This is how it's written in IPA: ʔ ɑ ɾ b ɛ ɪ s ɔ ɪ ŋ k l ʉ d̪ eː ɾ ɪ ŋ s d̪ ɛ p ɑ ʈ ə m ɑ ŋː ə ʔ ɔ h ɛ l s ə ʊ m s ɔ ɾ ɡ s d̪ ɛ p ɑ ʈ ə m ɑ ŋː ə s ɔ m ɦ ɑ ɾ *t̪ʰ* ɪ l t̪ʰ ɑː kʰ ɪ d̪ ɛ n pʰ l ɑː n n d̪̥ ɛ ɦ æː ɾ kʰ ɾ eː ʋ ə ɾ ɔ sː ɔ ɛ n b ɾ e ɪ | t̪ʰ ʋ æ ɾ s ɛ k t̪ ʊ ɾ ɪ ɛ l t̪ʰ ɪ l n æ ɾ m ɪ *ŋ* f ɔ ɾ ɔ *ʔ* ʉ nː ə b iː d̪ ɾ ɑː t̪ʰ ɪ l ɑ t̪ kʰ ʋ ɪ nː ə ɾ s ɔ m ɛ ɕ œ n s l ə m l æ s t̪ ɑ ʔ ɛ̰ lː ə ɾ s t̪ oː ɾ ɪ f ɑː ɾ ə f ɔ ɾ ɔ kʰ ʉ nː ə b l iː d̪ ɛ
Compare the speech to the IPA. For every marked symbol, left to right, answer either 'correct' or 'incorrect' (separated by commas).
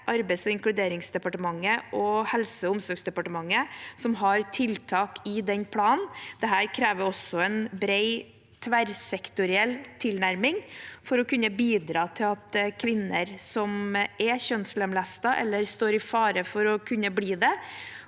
correct, correct, incorrect